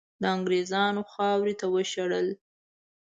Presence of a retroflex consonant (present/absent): present